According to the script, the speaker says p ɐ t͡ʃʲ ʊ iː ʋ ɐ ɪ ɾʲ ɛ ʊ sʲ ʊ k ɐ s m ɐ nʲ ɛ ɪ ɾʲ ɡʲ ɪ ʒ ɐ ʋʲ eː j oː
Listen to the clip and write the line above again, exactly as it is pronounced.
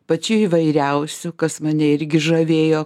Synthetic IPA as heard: p ɐ t͡ʃʲ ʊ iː ʋ ɐ ɪ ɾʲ ɛ ʊ sʲ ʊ k ɐ s m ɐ nʲ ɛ ɪ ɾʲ ɡʲ ɪ ʒ ɐ ʋʲ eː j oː

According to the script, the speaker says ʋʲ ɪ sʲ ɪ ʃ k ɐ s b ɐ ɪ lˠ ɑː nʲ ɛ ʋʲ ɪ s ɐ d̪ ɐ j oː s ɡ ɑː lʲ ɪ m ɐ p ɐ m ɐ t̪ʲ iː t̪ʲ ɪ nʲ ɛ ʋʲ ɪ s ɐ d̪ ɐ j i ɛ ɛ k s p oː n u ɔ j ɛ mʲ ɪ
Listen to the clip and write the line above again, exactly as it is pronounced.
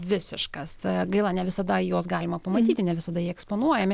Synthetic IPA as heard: ʋʲ ɪ sʲ ɪ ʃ k ɐ s ɡ ɐ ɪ lˠ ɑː nʲ ɛ ʋʲ ɪ s ɐ d̪ ɐ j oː s ɡ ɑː lʲ ɪ m ɐ p ɐ m ɐ t̪ʲ iː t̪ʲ ɪ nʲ ɛ ʋʲ ɪ s ɐ d̪ ɐ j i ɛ ɛ k s p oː n u ɔ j ɛ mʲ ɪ

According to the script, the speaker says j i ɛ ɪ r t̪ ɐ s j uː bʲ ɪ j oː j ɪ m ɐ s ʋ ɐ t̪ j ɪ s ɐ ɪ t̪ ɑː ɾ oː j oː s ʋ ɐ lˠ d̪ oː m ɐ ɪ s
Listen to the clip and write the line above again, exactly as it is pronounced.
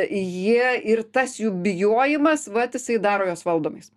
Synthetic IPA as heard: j i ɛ ɪ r t̪ ɐ s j uː bʲ ɪ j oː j ɪ m ɐ s ʋ ɐ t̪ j ɪ s ɐ ɪ d̪ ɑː ɾ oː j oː s ʋ ɐ lˠ d̪ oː m ɐ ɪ s

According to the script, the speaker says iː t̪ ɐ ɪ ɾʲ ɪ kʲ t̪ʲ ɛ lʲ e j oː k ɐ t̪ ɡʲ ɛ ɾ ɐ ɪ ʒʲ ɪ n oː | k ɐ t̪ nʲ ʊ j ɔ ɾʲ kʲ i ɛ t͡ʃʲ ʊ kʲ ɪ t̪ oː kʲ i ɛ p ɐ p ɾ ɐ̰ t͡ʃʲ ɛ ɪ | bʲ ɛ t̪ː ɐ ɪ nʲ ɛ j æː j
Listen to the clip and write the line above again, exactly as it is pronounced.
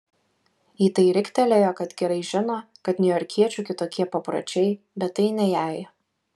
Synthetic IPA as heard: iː t̪ ɐ ɪ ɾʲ ɪ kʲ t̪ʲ ɛ lʲ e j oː k ɐ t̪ ɡʲ ɛ ɾ ɐ ɪ ʒʲ ɪ n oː | k ɐ t̪ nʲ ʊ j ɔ ɾʲ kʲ i ɛ t͡ʃʲ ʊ kʲ ɪ t̪ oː kʲ i ɛ p ɐ p ɾ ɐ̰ t͡ʃʲ ɛ ɪ | bʲ ɛ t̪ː ɐ ɪ nʲ ɛ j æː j

